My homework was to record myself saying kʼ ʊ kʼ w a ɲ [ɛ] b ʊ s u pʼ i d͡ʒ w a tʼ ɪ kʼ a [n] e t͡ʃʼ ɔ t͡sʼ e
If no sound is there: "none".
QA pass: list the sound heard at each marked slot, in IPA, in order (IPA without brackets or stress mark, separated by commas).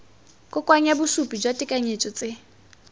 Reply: a, ɲ